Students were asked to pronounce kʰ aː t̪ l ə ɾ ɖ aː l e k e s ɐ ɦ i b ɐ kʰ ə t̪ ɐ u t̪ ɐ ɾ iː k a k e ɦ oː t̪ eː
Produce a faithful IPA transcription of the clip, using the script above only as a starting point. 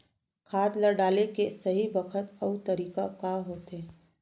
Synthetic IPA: kʰ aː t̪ l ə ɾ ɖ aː l e k e s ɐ ɦ i b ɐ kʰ ə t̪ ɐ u t̪ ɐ ɾ iː k a k a ɦ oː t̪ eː

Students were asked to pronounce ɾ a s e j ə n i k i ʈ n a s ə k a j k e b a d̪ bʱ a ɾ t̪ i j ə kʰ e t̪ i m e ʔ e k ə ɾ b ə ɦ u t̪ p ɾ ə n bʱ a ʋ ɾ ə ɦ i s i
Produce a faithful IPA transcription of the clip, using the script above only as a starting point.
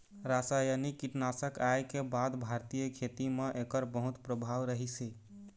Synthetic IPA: ɾ a s a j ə n i k i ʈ n a s ə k a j k e b a d̪ bʱ a ɾ t̪ i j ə kʰ e t̪ i m e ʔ e k ə ɾ b ə ɦ u t̪ p ɾ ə bʱ a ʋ ɾ ə ɦ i s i

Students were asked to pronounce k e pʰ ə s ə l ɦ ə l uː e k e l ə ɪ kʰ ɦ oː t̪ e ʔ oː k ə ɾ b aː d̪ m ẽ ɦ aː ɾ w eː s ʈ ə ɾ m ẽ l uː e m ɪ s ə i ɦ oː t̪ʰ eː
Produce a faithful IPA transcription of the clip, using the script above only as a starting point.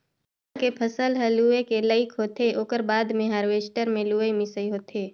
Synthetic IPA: k e pʰ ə s ə l ɦ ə l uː e k e l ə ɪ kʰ ɦ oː t̪ e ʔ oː k ə ɾ b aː d̪ m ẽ ɦ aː ɾ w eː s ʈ ə ɾ m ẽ l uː e m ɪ s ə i ɦ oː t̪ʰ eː

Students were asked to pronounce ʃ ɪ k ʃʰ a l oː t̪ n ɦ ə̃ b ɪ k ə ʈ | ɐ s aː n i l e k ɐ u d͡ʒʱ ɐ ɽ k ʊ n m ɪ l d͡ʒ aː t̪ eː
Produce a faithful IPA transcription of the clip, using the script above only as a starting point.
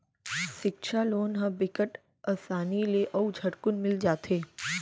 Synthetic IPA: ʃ ɪ k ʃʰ a l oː n ɦ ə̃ b ɪ k ə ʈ | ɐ s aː n i l e ʔ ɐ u d͡ʒʱ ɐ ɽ k ʊ n m ɪ l d͡ʒ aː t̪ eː

